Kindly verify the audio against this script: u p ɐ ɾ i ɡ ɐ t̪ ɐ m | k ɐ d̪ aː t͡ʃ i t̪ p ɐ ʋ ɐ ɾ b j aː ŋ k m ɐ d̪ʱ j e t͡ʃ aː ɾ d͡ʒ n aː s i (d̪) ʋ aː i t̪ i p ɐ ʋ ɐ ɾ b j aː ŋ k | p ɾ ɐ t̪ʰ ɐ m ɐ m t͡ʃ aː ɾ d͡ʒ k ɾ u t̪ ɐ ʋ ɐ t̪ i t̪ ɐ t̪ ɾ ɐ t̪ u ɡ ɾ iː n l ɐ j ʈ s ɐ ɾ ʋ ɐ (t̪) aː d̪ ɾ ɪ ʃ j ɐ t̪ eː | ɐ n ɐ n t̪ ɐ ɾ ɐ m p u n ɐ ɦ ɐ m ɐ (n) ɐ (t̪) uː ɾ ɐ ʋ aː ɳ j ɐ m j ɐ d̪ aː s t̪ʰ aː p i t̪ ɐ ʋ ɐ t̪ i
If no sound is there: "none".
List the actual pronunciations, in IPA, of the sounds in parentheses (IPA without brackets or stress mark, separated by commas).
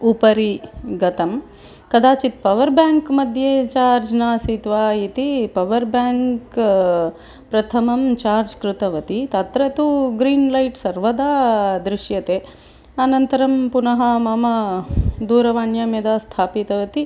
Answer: t̪, d̪, m, d̪